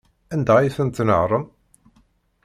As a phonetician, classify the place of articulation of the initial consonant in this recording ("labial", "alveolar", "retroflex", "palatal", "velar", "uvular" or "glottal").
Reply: alveolar